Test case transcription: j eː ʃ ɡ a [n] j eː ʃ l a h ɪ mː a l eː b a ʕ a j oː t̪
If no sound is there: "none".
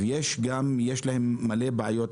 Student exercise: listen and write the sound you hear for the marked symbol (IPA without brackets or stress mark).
m